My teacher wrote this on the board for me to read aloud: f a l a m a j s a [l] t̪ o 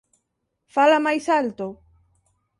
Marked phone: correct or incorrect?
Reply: correct